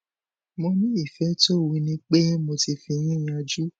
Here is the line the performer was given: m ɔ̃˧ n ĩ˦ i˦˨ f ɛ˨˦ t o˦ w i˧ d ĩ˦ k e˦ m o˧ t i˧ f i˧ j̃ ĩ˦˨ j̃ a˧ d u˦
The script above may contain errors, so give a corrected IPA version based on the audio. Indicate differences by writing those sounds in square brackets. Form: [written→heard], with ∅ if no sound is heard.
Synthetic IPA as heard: m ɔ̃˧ n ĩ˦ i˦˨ f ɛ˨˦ t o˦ w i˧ [d→n] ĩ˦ [k→k͡p] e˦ m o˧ t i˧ f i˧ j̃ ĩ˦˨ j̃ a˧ [d→d͡ʒ] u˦